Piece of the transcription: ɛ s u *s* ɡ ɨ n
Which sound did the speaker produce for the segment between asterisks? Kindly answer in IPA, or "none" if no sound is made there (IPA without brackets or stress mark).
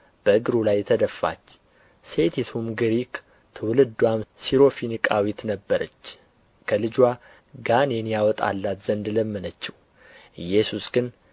s